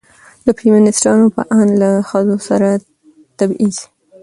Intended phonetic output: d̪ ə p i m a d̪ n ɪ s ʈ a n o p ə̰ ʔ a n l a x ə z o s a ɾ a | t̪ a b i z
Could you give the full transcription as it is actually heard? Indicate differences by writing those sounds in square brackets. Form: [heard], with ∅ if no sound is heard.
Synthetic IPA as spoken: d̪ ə p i m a [∅] n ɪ s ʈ [ɑ] n o p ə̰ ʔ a n l a x ə z o s a ɾ a | t̪ a b i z

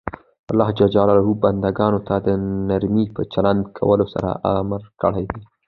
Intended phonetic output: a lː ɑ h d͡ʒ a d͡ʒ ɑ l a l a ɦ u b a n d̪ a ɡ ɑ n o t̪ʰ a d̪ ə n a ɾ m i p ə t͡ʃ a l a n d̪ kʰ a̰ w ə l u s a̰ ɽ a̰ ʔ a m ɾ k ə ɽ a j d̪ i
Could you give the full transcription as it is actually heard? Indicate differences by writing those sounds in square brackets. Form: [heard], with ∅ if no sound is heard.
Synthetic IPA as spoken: a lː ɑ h d͡ʒ a d͡ʒ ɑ l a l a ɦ u b a n d̪ a ɡ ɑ n o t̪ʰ a d̪ ə n a ɾ m i p ə t͡ʃ a l a n d̪ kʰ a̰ w ə l [o] s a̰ [ɾ] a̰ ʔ a m ɾ k ə ɽ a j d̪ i

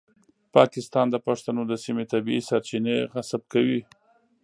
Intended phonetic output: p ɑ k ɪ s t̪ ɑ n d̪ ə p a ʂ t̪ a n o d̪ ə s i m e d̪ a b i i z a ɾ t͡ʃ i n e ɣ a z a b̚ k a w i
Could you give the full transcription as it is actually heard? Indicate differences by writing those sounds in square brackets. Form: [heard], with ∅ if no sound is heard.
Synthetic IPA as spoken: p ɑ k ɪ s t̪ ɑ n d̪ ə p a ʂ t̪ a n o d̪ ə s i m e [t̪] a b i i [s] a ɾ t͡ʃ i n e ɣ a [s] a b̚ k a w i

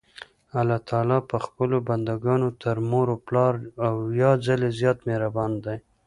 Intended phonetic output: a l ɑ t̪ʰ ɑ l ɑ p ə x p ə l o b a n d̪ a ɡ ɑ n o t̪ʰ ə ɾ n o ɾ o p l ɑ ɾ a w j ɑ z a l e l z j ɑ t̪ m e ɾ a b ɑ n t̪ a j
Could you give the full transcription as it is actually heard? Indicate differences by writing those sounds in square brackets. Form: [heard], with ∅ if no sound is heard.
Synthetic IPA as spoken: a l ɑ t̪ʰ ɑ l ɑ p ə x p ə l o b a n d̪ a ɡ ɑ n o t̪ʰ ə ɾ [m] o ɾ o p l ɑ ɾ a w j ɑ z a l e [∅] z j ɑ t̪ m e ɾ a b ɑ n [d̪] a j

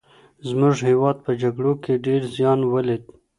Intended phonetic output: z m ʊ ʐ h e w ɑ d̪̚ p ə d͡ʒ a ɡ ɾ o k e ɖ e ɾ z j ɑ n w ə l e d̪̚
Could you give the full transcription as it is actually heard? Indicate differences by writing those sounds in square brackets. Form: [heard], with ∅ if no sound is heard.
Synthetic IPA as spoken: z m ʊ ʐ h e w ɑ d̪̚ p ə d͡ʒ a ɡ [ɽ] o k e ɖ e ɾ z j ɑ n w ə l e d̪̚

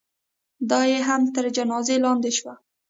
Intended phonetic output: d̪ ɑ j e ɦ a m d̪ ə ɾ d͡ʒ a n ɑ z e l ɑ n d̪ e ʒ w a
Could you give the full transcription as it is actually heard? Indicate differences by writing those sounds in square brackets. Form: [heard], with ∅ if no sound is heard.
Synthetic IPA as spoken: d̪ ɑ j e ɦ a m [t̪] ə ɾ d͡ʒ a n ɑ z e l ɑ n d̪ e [ʃ] w a

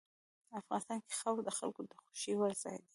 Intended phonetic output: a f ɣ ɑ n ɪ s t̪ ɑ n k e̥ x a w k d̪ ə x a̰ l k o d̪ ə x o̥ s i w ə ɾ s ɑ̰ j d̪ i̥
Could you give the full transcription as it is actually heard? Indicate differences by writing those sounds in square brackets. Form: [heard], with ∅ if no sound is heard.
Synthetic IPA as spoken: a f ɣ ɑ n ɪ s t̪ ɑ n k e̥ x a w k d̪ ə x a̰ l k o d̪ ə x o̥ [ʃ] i w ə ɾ [z] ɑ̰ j d̪ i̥

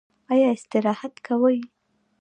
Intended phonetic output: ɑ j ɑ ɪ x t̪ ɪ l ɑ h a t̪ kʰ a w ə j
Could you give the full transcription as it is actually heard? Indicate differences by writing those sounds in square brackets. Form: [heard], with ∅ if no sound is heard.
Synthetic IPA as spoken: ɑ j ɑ ɪ [s] t̪ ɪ [ɾ] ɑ h a t̪ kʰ a w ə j

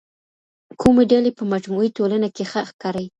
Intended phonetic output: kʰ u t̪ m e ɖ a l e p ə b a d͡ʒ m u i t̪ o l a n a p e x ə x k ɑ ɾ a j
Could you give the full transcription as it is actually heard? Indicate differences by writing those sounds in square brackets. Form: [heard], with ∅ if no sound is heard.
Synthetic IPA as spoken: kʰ u [∅] m e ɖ a l e p ə [m] a d͡ʒ m u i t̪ o l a n a [k] e x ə x k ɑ ɾ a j

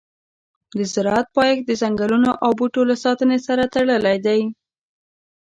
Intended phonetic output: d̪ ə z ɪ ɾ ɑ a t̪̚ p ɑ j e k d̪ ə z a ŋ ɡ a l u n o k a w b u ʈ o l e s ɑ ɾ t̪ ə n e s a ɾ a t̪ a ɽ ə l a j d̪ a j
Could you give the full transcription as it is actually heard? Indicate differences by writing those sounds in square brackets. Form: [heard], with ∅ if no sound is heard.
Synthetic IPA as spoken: d̪ ə z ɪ ɾ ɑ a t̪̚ p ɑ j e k d̪ ə z a ŋ ɡ a l u n o [ʔ] a w b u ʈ o l [a] s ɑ [∅] t̪ ə n e s a ɾ a t̪ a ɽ ə l a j d̪ a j

